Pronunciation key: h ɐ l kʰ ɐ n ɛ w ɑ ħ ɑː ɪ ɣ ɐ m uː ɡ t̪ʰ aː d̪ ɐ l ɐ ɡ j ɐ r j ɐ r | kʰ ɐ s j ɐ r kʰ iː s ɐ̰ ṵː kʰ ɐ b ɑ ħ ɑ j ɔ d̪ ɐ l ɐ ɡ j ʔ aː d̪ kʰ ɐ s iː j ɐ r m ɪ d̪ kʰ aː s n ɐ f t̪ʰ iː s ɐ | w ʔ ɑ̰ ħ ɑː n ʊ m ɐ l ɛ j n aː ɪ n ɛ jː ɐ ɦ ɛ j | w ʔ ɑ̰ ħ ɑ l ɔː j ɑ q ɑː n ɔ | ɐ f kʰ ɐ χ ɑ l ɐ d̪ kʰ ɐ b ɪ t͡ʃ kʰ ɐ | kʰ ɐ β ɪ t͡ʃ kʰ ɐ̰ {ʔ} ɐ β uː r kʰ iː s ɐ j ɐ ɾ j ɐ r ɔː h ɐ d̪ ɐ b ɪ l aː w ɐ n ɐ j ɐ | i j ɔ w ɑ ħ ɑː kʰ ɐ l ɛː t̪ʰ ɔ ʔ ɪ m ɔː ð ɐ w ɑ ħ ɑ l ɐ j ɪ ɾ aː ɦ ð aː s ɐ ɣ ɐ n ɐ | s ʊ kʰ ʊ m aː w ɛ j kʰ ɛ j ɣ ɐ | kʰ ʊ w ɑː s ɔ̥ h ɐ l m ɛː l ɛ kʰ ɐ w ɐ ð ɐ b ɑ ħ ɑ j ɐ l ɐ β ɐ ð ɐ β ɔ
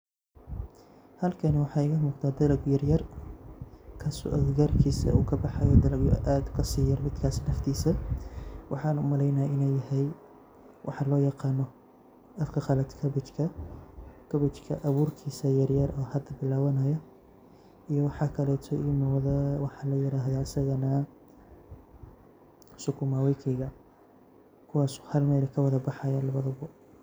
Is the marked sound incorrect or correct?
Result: correct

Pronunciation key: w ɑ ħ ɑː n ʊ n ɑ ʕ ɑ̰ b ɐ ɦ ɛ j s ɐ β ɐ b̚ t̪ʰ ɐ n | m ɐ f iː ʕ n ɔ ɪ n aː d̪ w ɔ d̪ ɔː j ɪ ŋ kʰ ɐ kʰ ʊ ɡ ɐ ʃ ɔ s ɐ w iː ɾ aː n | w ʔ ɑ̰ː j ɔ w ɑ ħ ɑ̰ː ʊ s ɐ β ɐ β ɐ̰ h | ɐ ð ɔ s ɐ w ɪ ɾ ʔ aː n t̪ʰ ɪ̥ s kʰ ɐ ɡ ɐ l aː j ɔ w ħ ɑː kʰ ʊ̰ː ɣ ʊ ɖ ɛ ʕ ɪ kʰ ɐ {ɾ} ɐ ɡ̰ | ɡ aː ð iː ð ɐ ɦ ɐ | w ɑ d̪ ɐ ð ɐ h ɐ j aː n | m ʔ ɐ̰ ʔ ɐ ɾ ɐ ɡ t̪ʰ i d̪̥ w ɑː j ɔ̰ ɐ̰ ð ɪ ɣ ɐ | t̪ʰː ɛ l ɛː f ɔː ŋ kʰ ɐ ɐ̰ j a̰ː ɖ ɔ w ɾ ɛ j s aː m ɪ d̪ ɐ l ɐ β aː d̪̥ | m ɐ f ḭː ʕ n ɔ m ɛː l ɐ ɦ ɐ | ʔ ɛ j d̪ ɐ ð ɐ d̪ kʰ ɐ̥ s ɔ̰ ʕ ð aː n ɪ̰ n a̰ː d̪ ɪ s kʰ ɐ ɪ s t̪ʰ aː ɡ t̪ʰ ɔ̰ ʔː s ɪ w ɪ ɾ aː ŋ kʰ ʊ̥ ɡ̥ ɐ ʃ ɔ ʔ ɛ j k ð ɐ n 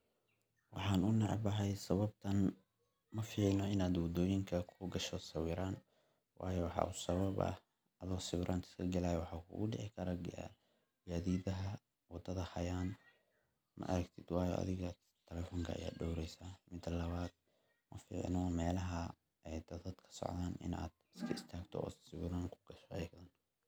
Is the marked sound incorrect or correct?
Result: correct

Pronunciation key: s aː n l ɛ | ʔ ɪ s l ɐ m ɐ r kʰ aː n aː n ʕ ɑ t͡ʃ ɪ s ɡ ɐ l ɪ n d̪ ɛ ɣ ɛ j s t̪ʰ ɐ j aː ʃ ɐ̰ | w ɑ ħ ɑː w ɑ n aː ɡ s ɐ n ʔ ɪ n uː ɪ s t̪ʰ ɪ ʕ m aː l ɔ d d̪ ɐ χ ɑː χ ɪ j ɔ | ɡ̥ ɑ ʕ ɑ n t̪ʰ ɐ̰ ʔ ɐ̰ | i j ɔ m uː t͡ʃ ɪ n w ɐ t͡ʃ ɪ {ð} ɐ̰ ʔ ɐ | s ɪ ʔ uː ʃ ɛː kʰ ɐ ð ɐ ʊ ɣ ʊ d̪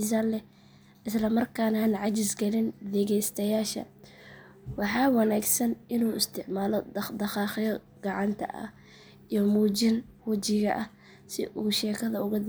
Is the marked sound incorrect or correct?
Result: incorrect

